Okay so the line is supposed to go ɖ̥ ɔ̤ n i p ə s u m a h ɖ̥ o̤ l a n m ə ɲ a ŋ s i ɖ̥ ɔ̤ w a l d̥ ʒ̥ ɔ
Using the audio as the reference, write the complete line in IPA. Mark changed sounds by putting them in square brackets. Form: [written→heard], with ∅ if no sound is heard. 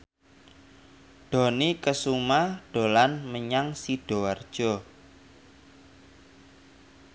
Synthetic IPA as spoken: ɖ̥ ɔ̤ n i [p→k] ə s u m a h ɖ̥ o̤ l a n m ə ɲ a ŋ s i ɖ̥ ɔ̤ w a [l→r] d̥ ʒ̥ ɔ